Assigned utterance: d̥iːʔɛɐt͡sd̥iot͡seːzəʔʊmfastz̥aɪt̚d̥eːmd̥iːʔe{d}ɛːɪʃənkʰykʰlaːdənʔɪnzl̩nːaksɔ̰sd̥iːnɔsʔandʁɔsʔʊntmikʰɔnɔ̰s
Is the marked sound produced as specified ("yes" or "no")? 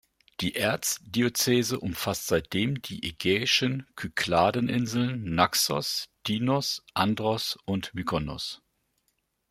no